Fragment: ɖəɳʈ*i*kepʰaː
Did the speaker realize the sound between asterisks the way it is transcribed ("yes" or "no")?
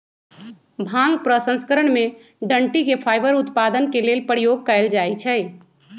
yes